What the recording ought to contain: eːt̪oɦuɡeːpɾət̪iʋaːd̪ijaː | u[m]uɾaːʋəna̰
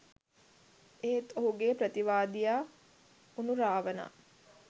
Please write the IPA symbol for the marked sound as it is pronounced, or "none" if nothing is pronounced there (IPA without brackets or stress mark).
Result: n